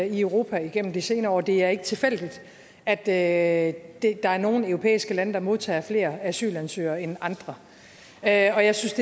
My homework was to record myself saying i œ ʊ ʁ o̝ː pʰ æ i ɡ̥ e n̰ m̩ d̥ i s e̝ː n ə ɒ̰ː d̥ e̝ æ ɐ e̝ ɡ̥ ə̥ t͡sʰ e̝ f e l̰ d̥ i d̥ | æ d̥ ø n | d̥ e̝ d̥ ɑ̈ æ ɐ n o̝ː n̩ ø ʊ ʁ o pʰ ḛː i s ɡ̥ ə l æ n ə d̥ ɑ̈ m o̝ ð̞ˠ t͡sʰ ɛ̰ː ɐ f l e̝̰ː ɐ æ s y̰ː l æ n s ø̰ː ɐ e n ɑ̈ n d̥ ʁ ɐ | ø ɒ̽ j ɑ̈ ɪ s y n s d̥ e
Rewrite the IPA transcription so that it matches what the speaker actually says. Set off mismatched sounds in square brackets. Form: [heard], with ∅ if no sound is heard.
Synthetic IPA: i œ ʊ ʁ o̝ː pʰ æ i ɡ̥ e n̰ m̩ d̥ i s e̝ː n [ɐ] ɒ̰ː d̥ e̝ æ ɐ e̝ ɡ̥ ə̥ t͡sʰ e̝ f e l̰ d̥ i d̥ | æ d̥ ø [∅] | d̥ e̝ d̥ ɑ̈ æ ɐ n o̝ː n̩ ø ʊ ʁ o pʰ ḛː i s ɡ̥ ə l æ n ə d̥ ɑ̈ m o̝ ð̞ˠ t͡sʰ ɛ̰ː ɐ f l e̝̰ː ɐ æ s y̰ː l æ n s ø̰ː ɐ e n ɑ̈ n d̥ ʁ ɐ | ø ɒ̽ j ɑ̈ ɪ s y n s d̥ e